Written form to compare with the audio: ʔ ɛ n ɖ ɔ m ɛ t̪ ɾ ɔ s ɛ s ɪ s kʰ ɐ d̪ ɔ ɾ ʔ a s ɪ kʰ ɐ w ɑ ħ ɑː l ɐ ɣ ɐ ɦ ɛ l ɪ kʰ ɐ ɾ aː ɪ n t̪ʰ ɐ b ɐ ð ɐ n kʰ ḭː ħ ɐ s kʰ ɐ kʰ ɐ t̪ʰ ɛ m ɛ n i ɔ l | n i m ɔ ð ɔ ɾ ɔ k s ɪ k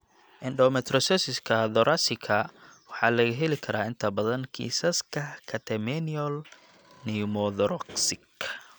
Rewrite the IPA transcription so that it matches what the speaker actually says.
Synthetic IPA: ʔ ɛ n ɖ ɔ m ɛ t̪ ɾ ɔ s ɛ s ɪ s kʰ ɐ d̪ ɔ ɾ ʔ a s ɪ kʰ ɐ w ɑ ħ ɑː l ɐ ɣ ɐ ɦ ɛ l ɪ kʰ ɐ ɾ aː ɪ n t̪ʰ ɐ b ɐ ð ɐ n kʰ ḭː s ɐ s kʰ ɐ kʰ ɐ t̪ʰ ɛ m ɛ n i ɔ l | n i m ɔ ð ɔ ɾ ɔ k s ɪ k